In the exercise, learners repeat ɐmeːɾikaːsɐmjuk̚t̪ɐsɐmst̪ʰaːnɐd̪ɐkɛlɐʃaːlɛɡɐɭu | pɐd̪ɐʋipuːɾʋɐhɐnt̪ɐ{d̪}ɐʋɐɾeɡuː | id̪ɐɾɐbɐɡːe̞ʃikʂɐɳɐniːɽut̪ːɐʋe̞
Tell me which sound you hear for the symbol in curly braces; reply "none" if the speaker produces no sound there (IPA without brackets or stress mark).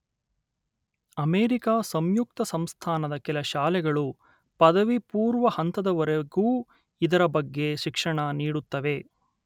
d̪